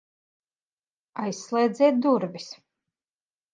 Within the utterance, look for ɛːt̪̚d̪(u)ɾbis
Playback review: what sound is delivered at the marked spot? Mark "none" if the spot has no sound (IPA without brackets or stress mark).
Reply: u